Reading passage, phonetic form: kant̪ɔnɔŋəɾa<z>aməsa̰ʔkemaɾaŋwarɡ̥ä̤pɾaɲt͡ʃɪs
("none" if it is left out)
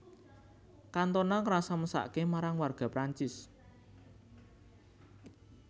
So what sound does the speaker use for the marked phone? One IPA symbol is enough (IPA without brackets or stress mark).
s